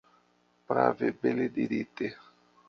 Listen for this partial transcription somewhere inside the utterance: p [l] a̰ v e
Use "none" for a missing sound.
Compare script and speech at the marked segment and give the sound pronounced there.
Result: ɾ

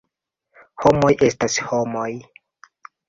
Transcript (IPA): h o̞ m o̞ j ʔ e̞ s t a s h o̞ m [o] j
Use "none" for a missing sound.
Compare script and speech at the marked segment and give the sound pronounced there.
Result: o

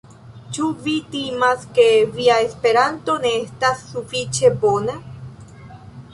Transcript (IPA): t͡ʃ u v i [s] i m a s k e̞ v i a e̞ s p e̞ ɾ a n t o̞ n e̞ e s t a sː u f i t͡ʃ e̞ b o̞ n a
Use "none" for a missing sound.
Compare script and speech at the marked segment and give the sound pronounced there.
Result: t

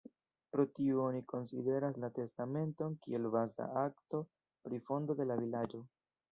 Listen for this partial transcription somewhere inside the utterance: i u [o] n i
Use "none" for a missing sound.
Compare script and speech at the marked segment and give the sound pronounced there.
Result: o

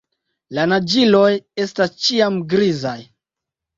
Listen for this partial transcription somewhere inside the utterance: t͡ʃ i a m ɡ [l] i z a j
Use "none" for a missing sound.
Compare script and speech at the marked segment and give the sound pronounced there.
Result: ɾ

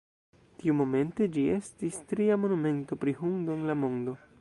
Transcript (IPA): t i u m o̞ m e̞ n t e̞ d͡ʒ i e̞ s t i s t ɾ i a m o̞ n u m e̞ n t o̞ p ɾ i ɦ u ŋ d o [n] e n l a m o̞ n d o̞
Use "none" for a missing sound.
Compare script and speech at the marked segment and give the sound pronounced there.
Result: none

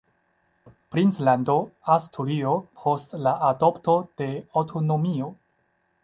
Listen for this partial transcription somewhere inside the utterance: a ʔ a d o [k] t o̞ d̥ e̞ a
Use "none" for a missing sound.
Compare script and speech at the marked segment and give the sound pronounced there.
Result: p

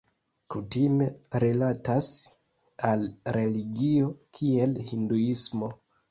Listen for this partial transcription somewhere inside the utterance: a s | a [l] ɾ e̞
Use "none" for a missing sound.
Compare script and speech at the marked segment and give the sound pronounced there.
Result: l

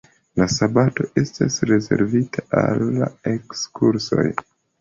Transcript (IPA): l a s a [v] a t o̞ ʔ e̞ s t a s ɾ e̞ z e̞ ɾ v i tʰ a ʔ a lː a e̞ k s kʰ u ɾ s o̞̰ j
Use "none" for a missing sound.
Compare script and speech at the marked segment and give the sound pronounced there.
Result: b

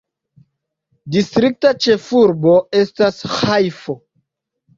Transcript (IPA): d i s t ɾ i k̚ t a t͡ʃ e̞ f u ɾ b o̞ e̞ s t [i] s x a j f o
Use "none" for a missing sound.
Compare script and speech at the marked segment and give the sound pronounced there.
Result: a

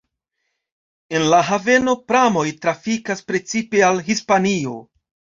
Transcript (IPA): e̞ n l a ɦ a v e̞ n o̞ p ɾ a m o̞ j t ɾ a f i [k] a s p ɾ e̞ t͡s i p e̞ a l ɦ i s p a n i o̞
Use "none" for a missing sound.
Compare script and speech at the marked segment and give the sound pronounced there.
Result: k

